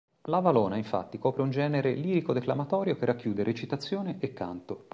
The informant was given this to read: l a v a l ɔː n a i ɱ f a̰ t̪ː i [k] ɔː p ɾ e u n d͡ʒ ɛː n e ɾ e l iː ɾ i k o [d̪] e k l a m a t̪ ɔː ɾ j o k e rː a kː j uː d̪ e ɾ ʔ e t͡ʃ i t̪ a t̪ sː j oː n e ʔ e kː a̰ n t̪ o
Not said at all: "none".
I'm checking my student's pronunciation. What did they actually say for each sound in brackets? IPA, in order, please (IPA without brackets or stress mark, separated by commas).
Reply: k, d̪